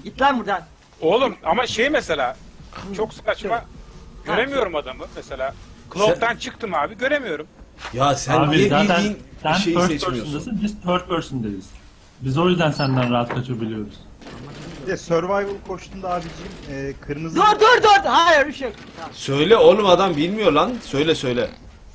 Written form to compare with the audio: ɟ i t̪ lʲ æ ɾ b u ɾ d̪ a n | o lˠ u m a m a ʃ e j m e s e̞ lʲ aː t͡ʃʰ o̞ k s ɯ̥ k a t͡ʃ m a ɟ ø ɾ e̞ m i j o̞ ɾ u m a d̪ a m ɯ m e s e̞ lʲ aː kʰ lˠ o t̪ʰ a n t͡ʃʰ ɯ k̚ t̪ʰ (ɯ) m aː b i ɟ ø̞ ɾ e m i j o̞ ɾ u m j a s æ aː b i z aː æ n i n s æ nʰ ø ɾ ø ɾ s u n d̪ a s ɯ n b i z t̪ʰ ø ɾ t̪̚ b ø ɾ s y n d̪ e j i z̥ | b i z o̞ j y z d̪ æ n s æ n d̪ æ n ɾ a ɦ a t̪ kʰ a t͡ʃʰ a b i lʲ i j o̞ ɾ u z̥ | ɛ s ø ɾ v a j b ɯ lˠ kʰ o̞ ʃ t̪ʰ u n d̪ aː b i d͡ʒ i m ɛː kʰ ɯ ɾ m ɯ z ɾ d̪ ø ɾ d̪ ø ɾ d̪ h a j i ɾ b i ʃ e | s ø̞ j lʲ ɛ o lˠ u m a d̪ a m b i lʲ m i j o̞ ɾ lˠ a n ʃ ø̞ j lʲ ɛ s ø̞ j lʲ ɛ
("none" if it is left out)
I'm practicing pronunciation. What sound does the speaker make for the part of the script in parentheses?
ɯ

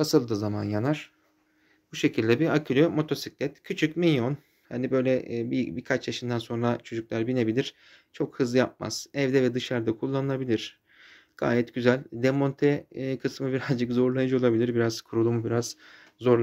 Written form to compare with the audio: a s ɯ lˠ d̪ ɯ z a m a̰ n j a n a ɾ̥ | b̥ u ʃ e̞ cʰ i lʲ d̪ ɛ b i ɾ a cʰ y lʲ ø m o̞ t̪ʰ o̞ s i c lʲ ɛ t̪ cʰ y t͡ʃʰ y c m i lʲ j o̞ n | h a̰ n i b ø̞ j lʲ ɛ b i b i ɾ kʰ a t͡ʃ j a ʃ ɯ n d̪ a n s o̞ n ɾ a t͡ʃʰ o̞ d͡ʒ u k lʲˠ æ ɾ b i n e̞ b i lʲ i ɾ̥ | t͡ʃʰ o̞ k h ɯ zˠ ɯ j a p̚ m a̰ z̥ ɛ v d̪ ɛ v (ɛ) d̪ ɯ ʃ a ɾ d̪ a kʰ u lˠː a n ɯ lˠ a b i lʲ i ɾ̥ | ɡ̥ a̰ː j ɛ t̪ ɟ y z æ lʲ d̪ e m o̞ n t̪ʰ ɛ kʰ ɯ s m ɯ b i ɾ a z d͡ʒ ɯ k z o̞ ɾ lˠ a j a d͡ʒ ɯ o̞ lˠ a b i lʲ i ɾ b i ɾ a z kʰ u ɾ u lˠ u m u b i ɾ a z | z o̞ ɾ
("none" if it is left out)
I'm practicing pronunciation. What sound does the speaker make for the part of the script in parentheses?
ɛ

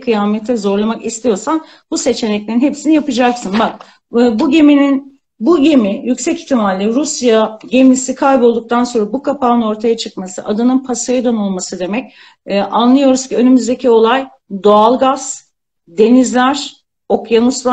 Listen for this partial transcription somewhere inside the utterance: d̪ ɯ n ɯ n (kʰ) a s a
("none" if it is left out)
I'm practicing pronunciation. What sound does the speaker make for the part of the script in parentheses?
pʰ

